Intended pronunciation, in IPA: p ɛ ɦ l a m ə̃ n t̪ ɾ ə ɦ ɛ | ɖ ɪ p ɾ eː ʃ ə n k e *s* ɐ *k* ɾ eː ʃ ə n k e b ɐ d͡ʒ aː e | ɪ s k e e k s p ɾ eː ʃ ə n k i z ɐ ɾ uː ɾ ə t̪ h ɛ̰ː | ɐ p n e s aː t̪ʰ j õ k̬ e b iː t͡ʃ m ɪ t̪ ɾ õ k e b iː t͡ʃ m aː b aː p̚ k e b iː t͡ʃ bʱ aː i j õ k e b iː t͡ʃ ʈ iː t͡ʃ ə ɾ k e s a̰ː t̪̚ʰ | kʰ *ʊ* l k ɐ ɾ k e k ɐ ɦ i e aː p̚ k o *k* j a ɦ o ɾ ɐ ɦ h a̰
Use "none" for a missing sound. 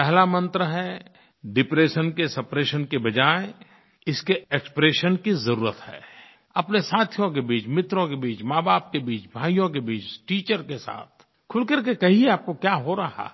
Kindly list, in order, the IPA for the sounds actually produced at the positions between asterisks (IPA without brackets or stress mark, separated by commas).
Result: s, p, ʊ, k